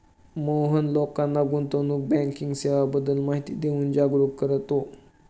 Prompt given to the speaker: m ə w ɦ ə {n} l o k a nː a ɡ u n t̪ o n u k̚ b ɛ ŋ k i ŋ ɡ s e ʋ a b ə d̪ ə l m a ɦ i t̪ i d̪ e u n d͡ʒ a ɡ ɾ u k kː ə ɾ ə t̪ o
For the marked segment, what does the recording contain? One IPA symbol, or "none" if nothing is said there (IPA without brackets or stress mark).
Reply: n